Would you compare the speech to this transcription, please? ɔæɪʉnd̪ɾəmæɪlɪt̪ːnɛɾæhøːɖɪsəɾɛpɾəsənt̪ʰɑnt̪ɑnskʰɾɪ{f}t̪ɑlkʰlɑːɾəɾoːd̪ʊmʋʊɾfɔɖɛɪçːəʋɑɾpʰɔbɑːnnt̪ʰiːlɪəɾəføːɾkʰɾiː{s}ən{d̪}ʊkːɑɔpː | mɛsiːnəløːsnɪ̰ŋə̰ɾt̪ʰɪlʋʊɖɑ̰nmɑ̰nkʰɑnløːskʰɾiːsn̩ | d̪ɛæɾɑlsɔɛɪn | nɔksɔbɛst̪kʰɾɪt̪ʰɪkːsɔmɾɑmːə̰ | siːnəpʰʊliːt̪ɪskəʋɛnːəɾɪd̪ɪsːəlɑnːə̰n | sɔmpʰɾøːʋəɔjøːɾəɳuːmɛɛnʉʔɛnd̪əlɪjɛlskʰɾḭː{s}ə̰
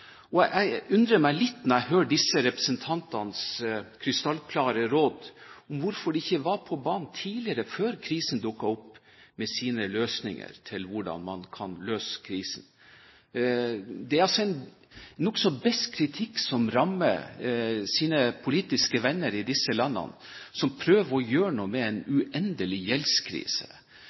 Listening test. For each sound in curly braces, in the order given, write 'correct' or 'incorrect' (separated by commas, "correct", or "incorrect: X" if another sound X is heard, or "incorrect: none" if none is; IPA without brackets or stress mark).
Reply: incorrect: s, correct, correct, correct